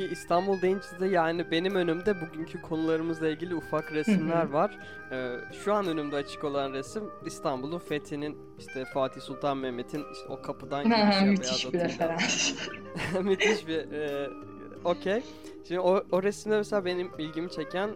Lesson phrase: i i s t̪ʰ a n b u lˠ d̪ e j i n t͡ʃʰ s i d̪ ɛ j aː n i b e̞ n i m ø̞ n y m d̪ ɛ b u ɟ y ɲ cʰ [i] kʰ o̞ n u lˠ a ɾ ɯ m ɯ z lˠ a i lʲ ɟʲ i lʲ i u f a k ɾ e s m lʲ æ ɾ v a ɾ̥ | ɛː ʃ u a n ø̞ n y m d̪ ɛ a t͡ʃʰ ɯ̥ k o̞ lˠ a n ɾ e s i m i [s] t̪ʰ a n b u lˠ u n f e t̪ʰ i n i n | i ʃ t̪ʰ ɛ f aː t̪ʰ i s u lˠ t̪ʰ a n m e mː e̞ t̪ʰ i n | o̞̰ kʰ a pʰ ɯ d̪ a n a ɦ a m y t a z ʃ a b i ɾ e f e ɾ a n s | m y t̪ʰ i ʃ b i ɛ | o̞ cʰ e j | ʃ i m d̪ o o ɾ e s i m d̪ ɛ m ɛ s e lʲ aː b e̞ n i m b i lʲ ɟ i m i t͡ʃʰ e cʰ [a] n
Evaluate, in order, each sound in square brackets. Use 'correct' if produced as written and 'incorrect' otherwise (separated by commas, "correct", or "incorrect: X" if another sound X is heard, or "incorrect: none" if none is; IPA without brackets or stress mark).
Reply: incorrect: y, correct, incorrect: æ